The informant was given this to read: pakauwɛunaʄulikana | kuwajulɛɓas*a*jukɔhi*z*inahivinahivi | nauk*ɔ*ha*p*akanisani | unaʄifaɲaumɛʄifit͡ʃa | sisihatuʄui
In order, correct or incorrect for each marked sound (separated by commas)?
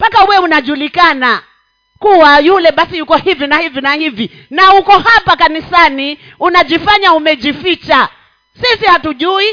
incorrect, incorrect, correct, correct